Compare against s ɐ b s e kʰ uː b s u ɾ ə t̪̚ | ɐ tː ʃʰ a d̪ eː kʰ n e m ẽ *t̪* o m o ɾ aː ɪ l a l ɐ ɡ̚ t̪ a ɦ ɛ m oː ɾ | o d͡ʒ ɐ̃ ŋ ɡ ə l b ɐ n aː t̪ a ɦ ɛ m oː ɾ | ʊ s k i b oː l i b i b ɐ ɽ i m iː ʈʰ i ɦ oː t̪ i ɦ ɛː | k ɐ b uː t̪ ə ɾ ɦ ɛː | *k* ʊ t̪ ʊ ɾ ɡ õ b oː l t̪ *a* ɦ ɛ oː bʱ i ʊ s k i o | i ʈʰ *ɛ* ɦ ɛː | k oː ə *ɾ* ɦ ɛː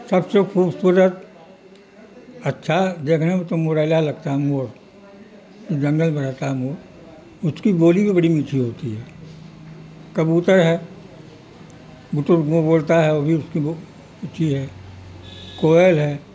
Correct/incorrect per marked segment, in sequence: correct, incorrect: ɡ, correct, incorrect: i, incorrect: l

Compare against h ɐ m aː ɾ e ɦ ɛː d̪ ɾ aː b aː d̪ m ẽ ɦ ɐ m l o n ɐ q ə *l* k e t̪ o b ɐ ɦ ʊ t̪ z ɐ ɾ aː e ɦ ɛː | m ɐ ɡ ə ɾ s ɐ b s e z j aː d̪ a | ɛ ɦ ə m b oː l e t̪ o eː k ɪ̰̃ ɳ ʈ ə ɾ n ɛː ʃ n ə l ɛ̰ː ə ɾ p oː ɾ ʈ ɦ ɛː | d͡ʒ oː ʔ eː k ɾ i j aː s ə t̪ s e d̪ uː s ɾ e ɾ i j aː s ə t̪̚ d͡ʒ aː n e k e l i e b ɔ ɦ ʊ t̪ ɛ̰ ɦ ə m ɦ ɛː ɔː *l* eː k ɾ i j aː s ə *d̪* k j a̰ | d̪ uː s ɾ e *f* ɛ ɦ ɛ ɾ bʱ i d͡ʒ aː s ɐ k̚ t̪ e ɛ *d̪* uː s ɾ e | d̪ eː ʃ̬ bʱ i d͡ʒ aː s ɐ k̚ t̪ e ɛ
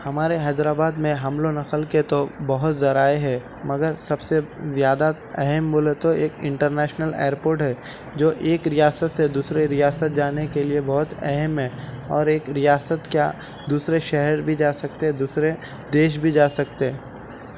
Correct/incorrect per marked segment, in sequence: correct, incorrect: ɾ, incorrect: t̪, incorrect: ʃ, correct

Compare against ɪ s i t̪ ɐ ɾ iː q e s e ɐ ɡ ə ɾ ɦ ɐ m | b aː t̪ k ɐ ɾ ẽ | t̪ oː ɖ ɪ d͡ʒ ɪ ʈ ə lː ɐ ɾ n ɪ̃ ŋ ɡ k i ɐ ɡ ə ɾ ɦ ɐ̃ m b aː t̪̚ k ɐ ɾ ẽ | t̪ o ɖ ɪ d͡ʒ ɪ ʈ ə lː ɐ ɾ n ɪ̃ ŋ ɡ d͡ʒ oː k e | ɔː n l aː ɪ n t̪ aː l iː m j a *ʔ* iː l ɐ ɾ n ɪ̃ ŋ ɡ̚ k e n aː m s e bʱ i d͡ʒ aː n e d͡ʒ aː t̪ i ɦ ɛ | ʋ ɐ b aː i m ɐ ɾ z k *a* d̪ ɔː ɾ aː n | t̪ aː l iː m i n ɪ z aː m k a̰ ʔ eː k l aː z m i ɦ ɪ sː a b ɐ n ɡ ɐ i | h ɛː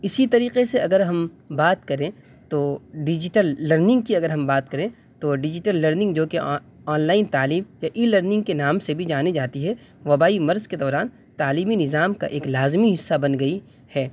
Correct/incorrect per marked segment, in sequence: correct, incorrect: e

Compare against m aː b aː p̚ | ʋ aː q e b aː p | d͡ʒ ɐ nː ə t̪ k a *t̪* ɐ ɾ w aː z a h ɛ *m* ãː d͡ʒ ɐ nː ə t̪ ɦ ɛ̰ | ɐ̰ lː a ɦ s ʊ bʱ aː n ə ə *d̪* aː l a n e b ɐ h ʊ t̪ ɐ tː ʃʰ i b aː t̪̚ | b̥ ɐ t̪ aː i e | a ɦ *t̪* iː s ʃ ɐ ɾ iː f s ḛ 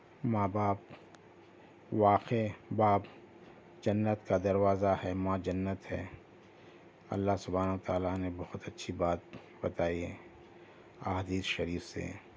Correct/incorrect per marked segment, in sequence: incorrect: d̪, correct, incorrect: t̪, incorrect: d̪

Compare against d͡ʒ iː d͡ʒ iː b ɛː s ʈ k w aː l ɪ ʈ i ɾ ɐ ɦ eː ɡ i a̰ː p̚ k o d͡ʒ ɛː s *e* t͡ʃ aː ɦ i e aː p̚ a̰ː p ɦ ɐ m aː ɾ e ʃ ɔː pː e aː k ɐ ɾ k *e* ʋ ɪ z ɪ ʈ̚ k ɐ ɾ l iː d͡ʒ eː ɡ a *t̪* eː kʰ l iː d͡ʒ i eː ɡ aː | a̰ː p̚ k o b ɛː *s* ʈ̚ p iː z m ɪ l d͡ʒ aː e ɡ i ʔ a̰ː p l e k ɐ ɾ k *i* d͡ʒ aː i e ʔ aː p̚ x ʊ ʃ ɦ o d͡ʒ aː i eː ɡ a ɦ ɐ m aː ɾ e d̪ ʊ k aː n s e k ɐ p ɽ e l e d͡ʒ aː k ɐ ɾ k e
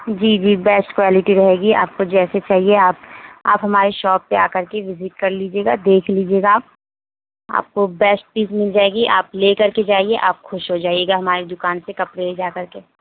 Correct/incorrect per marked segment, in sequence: correct, correct, incorrect: d̪, correct, incorrect: e

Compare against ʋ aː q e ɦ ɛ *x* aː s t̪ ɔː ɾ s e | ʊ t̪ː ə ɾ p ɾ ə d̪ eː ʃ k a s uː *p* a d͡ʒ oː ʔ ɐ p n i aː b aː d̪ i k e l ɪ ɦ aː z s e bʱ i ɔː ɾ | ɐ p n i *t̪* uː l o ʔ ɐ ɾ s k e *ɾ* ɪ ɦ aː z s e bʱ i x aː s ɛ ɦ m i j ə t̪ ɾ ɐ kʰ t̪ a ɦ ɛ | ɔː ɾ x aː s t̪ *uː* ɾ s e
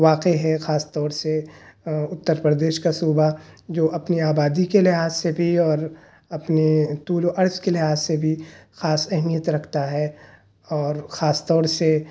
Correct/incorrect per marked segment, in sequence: correct, incorrect: b, correct, incorrect: l, incorrect: ɔː

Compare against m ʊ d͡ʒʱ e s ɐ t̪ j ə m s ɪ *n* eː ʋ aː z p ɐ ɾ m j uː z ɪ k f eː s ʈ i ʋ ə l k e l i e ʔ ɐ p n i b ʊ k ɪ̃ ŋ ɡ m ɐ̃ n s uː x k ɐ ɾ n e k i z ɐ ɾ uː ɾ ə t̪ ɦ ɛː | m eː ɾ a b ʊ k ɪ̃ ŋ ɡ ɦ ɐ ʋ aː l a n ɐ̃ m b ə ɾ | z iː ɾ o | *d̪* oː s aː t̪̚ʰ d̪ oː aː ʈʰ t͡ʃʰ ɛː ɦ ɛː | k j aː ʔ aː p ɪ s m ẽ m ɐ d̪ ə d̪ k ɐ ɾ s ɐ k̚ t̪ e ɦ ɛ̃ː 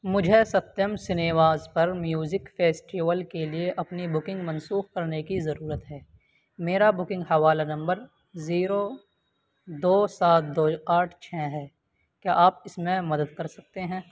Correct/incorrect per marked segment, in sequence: correct, correct

